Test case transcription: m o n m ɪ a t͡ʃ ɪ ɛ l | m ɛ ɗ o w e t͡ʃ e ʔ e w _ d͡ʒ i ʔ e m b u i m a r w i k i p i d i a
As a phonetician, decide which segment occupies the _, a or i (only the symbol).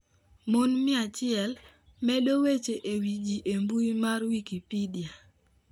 i